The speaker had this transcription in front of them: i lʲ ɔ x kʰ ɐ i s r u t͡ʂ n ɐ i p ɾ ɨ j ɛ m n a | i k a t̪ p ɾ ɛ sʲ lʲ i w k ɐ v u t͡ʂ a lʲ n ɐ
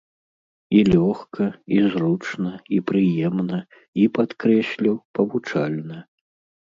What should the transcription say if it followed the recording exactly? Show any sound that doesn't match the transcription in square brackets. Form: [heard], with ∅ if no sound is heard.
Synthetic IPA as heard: i lʲ ɔ x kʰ ɐ i [z] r u t͡ʂ n ɐ i p ɾ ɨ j ɛ m n [ɐ] | i [p] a t̪ [k] ɾ ɛ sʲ lʲ i w [p] ɐ v u t͡ʂ a lʲ n ɐ